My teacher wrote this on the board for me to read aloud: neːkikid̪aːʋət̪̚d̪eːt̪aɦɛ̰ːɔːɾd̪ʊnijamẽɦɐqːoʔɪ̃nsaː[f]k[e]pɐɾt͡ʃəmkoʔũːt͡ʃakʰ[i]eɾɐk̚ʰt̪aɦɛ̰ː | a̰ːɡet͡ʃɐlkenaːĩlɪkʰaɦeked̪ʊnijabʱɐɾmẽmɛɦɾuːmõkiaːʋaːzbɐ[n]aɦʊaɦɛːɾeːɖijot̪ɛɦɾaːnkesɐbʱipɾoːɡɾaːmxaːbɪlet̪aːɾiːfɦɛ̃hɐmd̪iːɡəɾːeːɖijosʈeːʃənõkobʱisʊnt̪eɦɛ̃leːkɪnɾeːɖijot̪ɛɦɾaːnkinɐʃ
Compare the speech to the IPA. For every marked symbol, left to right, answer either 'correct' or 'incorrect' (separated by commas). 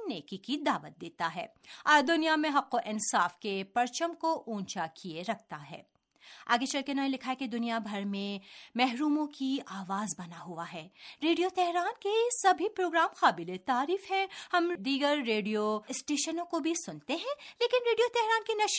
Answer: correct, correct, correct, correct